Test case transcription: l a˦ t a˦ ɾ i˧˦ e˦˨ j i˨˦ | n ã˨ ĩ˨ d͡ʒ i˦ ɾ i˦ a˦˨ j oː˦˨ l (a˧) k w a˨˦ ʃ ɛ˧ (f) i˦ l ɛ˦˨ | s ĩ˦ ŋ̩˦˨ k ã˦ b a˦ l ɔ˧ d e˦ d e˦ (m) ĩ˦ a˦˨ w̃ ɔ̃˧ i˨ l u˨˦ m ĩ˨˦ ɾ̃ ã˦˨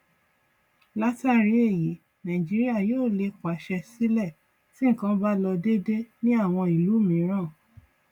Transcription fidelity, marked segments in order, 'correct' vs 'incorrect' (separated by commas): incorrect, incorrect, incorrect